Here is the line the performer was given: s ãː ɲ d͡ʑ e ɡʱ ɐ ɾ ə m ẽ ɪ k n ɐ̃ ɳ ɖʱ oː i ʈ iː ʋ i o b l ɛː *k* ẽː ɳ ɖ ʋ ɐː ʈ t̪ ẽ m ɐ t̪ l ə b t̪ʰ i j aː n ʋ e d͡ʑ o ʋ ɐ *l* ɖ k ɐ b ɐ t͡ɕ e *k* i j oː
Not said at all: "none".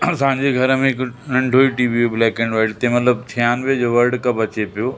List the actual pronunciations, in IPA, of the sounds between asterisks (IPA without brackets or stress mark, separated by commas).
k, ɾ, p